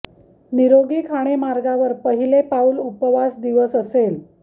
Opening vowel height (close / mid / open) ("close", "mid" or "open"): close